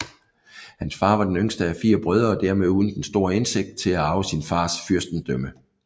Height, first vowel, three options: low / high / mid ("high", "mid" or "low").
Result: low